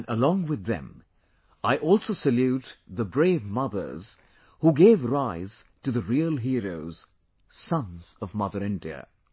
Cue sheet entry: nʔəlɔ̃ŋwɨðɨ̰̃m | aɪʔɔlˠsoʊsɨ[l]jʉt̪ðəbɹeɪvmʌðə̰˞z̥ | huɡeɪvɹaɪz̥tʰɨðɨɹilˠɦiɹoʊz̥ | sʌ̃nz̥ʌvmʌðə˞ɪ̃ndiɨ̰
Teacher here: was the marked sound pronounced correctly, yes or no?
yes